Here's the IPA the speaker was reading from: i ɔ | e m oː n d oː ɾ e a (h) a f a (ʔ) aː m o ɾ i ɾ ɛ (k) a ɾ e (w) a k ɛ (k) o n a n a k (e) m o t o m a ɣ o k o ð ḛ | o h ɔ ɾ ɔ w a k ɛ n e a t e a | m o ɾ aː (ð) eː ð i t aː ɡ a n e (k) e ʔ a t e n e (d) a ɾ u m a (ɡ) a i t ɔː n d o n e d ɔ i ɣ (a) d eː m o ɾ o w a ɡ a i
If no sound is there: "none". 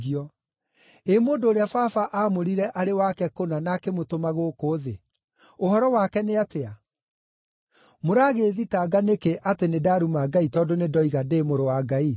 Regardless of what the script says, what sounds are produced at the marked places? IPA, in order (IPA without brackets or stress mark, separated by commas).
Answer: f, ʔ, ʔ, w, k, e, ɣ, k, d, ɡ, a